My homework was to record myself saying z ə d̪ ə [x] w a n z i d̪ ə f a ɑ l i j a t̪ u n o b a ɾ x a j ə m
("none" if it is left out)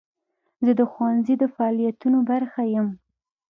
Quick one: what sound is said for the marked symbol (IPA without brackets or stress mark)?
x